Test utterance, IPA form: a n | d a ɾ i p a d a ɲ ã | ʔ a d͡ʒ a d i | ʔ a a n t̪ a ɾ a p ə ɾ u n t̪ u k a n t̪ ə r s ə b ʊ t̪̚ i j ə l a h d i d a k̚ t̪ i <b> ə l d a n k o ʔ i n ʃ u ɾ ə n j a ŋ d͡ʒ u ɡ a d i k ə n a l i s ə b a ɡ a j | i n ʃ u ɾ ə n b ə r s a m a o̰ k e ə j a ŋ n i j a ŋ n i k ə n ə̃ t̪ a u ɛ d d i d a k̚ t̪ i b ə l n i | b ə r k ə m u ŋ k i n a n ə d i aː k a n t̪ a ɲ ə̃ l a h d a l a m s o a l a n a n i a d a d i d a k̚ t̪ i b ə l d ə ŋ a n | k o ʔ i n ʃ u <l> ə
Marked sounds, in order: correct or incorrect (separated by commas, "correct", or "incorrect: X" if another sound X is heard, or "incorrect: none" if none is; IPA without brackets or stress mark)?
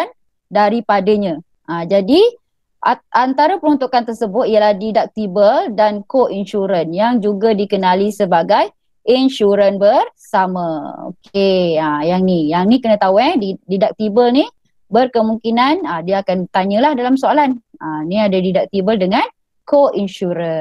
correct, incorrect: ɾ